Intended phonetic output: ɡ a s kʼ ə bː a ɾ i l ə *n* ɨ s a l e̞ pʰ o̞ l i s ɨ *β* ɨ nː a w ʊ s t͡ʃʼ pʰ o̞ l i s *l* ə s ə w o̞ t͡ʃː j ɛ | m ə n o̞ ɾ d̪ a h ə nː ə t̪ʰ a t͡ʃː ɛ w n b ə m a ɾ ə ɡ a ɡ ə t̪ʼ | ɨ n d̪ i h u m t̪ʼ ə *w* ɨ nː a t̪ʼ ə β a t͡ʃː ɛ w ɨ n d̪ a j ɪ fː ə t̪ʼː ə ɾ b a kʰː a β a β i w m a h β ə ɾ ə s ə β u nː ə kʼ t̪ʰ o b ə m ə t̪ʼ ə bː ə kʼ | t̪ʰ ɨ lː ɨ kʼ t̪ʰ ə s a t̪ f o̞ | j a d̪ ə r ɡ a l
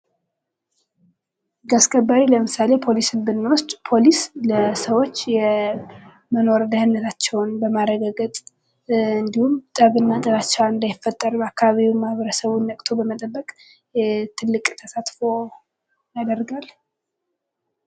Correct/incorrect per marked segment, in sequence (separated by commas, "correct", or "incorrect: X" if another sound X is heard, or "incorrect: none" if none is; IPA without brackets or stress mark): incorrect: m, incorrect: b, correct, incorrect: β